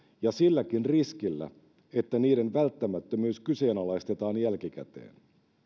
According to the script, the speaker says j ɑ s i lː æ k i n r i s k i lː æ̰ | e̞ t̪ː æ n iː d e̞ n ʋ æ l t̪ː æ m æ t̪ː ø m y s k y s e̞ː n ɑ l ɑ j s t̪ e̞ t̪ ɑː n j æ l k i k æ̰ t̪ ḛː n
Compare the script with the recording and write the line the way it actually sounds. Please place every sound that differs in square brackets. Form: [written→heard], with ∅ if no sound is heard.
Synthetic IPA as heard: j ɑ s i lː æ k i n r i s k i lː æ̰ | e̞ t̪ː æ n iː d e̞ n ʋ æ l t̪ː æ m æ t̪ː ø m [y→yː] s k y s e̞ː n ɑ l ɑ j s t̪ e̞ t̪ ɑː n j æ l k i k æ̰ t̪ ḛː n